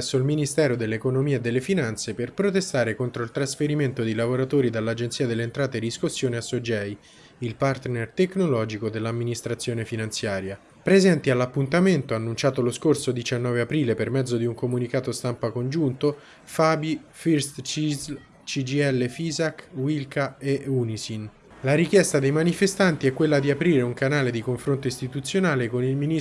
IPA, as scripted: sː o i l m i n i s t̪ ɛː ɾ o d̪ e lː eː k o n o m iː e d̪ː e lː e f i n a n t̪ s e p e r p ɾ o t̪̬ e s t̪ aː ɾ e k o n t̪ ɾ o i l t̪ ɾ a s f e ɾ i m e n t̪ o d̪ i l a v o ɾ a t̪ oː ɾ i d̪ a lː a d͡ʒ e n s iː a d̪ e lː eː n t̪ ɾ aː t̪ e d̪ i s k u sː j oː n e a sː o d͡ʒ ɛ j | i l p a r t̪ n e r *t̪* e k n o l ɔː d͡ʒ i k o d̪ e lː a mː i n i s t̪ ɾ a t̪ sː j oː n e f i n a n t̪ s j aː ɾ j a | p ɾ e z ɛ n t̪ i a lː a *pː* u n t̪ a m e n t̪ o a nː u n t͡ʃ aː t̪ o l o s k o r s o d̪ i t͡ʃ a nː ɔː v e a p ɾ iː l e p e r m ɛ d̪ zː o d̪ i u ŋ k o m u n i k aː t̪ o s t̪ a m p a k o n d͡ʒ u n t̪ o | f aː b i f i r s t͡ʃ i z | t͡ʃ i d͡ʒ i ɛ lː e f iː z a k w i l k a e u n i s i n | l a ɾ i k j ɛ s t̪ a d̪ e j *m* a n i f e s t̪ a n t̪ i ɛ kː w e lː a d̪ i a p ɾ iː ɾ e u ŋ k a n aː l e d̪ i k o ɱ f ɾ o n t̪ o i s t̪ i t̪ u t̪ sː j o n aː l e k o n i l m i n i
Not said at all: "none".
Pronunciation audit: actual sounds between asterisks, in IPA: t̪, pː, m

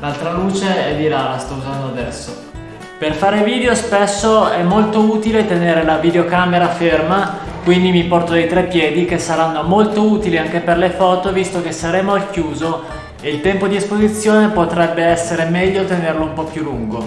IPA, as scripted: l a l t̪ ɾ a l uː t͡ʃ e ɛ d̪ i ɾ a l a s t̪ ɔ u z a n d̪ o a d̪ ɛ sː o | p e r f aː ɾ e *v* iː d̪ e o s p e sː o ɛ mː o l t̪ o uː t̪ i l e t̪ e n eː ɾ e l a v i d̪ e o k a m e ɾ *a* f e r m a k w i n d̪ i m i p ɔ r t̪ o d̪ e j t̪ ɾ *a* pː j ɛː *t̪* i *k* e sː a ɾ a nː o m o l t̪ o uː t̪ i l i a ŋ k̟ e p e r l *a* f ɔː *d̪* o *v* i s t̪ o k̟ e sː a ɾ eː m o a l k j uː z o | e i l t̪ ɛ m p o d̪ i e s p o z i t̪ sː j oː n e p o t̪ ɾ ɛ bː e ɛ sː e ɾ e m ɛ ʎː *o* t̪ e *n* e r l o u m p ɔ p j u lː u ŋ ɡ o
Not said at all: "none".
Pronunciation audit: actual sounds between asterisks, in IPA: v, a, ɛ, d̪, k, e, t̪, v, o, n

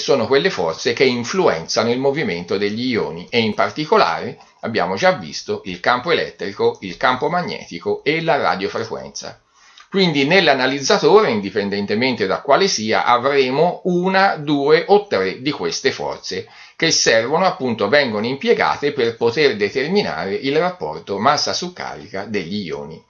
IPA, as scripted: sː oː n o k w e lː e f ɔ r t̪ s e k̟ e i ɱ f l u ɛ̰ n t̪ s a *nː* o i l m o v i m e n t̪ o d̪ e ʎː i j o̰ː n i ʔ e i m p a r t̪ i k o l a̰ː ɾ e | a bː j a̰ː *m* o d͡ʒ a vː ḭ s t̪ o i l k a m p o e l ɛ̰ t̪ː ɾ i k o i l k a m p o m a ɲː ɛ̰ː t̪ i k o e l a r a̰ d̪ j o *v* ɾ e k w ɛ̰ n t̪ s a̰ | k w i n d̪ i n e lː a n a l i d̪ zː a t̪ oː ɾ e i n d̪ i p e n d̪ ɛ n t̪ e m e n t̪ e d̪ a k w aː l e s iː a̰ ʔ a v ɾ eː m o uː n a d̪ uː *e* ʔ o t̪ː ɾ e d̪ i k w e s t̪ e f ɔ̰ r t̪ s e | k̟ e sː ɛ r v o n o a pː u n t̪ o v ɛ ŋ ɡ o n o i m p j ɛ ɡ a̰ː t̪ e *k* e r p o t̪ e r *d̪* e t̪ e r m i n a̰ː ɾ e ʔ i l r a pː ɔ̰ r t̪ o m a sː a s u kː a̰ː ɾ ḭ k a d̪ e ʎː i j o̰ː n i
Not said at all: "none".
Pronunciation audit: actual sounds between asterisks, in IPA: n, m, f, e, p, d̪

